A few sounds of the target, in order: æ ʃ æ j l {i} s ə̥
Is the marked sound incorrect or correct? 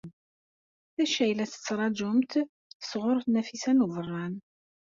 incorrect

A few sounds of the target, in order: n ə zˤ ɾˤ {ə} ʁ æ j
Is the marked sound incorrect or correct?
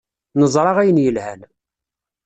incorrect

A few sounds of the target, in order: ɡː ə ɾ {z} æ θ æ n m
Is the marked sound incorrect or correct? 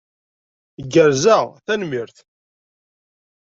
correct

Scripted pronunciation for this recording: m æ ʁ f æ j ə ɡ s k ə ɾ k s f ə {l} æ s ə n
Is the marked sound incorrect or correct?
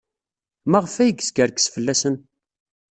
incorrect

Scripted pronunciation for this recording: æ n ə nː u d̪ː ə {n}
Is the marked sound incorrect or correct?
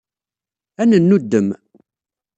incorrect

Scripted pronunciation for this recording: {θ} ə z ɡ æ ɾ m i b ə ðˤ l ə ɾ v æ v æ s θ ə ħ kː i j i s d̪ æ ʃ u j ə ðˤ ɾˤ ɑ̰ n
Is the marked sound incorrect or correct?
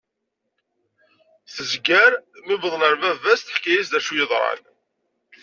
correct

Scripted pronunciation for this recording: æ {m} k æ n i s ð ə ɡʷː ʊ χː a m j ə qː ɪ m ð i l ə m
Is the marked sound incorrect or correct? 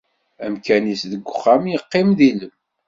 correct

